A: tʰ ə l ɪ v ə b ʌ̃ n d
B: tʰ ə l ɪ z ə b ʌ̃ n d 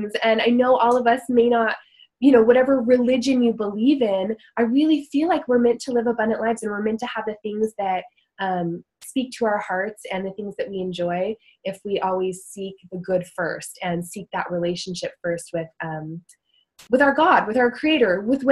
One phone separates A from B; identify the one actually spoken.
A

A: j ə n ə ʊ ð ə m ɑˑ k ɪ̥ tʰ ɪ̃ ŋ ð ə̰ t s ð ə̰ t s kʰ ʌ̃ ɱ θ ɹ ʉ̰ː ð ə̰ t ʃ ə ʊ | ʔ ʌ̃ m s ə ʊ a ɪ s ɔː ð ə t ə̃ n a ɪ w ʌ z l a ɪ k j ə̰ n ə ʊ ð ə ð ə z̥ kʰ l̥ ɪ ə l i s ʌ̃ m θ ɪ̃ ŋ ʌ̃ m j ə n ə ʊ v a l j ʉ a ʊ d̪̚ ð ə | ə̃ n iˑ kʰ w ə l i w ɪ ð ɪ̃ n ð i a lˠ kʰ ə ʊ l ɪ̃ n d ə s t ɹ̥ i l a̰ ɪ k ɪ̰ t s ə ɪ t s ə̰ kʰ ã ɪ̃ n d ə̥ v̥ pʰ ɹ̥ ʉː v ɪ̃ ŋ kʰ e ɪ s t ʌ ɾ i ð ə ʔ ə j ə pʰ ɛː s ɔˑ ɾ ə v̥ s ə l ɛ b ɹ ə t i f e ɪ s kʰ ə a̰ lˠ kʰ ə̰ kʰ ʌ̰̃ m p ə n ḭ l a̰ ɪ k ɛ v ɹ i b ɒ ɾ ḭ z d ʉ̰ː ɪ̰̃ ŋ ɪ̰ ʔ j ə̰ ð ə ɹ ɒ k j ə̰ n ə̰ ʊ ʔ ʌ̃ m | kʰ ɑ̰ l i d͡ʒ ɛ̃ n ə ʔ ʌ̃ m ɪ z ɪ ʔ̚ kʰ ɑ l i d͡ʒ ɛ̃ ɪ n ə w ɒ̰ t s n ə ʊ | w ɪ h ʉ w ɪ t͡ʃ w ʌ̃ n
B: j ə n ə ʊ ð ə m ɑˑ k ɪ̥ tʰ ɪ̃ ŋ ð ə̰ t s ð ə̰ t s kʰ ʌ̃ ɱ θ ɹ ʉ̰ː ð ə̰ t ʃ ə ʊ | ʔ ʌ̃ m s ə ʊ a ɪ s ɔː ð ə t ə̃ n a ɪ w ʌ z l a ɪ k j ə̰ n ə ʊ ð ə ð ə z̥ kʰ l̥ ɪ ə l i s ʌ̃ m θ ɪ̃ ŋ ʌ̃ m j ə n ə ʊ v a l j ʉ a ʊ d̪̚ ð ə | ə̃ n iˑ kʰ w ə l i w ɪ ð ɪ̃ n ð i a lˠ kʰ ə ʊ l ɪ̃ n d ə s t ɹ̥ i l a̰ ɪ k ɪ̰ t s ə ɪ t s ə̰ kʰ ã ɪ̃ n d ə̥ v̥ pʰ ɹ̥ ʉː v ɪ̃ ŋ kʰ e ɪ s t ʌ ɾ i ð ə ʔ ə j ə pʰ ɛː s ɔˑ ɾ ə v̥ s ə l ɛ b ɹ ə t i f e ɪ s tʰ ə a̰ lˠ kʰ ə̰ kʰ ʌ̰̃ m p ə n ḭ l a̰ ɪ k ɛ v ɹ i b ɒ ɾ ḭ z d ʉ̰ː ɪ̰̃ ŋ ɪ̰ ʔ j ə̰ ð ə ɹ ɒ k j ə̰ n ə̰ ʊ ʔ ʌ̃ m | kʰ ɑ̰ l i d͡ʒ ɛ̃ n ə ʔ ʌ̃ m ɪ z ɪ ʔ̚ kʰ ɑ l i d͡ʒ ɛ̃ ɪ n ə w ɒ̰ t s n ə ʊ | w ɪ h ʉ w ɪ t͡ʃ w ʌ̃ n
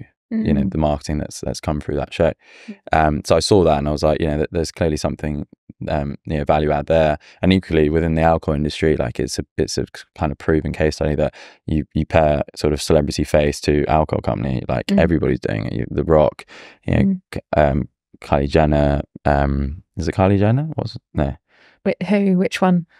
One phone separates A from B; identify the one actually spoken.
B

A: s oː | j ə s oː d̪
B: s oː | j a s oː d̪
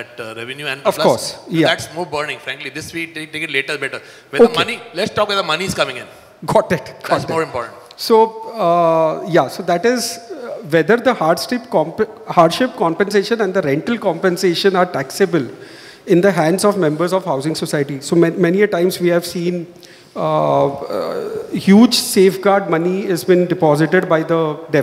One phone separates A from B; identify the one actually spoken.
B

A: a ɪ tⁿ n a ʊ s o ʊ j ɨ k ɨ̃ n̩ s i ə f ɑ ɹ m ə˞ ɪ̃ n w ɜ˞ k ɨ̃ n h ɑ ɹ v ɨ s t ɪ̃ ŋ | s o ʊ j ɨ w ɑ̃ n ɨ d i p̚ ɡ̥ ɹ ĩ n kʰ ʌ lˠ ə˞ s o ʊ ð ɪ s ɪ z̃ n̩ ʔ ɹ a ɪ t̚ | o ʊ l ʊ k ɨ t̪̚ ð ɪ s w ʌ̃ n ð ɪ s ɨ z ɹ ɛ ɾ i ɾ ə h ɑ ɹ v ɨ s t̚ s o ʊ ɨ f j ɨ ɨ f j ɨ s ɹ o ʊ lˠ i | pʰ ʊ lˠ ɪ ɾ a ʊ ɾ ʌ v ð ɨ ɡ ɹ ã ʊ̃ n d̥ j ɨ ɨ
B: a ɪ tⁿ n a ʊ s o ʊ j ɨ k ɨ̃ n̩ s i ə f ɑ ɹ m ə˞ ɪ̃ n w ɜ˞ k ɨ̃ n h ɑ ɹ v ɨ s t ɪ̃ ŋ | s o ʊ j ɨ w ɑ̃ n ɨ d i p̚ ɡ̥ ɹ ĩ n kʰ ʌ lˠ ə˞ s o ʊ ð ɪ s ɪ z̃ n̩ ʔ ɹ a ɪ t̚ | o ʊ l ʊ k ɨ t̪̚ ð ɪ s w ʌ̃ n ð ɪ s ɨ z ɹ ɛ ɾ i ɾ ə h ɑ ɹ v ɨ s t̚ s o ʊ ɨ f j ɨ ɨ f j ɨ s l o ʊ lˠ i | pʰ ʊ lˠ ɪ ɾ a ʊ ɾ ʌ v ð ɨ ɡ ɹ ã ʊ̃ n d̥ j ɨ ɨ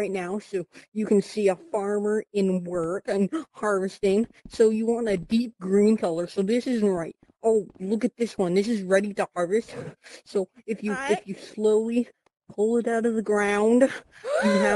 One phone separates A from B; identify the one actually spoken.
B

